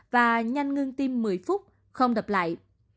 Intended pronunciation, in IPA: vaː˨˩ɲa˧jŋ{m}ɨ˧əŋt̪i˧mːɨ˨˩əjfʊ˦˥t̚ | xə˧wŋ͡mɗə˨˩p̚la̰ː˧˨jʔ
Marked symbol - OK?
no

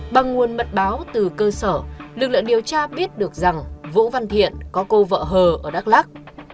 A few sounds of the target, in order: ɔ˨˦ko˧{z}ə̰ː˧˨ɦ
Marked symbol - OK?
no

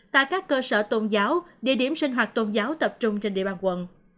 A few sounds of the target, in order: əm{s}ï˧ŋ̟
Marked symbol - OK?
yes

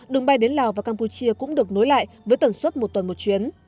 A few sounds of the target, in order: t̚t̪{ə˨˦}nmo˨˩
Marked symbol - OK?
no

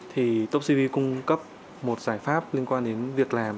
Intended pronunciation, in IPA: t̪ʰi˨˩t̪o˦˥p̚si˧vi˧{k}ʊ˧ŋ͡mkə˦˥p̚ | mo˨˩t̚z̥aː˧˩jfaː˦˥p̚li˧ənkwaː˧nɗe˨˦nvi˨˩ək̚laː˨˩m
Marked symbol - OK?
yes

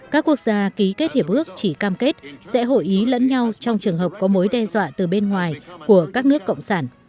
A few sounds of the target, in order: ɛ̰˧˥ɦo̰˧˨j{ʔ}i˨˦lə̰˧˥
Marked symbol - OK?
yes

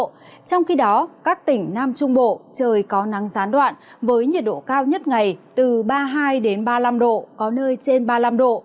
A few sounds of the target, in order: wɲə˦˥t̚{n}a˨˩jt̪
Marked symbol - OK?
no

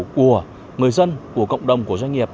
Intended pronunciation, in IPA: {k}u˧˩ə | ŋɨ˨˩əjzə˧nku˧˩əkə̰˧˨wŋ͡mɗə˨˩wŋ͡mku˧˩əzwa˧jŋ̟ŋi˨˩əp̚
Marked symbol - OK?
yes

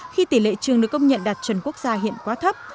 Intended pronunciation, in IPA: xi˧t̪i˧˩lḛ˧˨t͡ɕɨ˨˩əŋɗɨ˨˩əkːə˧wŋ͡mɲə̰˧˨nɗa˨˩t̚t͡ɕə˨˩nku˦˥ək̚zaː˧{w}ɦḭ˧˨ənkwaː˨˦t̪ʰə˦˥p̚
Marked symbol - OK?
no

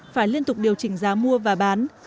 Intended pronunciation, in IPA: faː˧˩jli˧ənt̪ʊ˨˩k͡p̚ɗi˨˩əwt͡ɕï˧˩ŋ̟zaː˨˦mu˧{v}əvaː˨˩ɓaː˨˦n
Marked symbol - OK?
no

